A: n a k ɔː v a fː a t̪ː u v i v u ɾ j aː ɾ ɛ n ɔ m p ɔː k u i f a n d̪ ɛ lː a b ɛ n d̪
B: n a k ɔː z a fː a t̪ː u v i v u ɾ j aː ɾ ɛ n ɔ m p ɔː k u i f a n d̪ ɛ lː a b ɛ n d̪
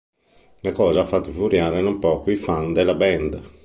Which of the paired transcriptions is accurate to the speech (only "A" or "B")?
B